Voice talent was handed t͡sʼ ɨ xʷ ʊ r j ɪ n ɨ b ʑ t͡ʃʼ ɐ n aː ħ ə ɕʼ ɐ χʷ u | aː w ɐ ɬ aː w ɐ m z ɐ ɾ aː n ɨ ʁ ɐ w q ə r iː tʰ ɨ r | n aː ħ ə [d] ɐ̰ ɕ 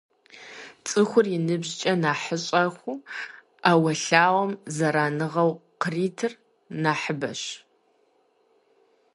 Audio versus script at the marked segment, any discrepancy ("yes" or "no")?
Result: yes